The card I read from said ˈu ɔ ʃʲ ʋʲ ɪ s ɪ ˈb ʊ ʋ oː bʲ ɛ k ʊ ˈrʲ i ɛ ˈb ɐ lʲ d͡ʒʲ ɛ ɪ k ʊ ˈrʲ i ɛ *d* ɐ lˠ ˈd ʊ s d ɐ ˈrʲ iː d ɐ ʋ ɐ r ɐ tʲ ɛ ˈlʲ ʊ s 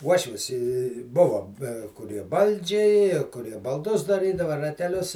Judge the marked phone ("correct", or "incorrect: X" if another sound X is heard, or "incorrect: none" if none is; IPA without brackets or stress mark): incorrect: b